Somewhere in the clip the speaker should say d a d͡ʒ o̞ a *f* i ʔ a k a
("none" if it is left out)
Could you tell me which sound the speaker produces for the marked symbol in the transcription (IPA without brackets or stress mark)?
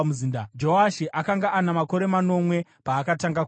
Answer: ʃ